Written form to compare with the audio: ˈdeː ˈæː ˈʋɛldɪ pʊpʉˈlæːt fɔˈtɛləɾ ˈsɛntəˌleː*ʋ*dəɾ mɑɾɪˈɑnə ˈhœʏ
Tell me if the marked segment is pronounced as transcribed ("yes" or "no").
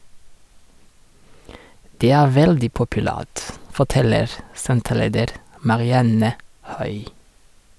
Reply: no